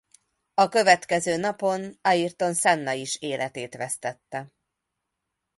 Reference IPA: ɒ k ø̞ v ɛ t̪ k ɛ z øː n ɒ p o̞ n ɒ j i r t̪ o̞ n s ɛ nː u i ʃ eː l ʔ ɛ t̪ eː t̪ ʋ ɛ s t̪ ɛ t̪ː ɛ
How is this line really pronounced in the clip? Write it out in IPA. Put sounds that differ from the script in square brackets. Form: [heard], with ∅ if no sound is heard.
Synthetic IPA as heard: ɒ k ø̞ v ɛ t̪ k ɛ z øː n ɒ p o̞ n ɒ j i r t̪ o̞ n s ɛ nː [ɒ] i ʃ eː l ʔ ɛ t̪ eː t̪ ʋ ɛ s t̪ ɛ t̪ː ɛ

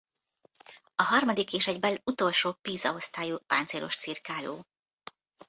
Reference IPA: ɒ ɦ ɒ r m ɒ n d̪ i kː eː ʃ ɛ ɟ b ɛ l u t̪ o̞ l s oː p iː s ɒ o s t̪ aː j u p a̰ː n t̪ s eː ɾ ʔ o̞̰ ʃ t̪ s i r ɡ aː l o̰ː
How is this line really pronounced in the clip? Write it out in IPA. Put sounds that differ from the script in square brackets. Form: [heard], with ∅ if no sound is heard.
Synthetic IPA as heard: ɒ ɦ ɒ r m ɒ [∅] d̪ i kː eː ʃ ɛ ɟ b ɛ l u t̪ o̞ l [ʃ] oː p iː [z] ɒ o s t̪ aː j u p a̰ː n t̪ s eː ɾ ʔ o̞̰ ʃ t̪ s i r [k] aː l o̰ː

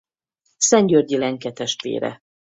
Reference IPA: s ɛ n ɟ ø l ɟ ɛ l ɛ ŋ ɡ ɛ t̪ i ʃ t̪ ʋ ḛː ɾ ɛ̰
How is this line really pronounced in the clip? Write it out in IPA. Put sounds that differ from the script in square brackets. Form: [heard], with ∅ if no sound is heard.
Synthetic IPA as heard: s ɛ [ɲ] ɟ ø [r] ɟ [i] l ɛ ŋ [k] ɛ t̪ [ɛ] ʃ t̪ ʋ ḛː ɾ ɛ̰

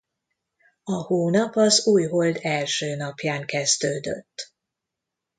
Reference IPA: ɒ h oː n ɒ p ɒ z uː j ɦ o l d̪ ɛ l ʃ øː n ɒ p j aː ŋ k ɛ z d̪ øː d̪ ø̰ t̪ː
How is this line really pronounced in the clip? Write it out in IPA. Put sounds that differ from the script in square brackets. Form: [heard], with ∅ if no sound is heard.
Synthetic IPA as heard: ɒ h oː n ɒ p ɒ z uː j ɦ o l d̪ ɛ l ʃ øː n ɒ p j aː ŋ k ɛ z d̪ øː d̪ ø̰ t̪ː

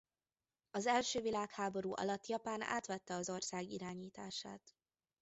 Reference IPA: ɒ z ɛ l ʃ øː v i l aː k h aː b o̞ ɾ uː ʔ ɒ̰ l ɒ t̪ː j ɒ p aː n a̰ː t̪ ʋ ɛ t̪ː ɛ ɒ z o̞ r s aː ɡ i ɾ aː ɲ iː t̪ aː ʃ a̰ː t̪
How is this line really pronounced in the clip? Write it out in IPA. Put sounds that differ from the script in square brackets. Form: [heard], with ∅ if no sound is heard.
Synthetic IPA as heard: ɒ z ɛ l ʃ øː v i l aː k h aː b o̞ ɾ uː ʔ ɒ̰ l ɒ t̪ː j ɒ p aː n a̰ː t̪ ʋ ɛ t̪ː ɛ ɒ z o̞ r s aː ɡ i ɾ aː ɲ iː t̪ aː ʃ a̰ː t̪

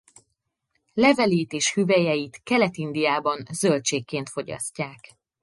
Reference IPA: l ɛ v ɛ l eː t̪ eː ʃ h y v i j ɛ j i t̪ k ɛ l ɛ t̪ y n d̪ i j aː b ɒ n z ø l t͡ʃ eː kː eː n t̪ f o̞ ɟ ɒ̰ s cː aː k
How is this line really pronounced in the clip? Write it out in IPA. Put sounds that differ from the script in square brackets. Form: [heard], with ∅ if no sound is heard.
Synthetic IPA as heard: l ɛ v ɛ l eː t̪ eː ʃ h y v [ɛ] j ɛ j i t̪ k ɛ l ɛ t̪ [i] n d̪ i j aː b ɒ n z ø l t͡ʃ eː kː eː n t̪ f o̞ ɟ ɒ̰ s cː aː k

